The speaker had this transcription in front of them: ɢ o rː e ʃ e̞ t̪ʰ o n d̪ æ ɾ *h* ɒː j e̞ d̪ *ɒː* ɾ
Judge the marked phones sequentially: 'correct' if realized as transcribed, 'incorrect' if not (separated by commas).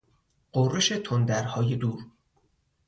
correct, incorrect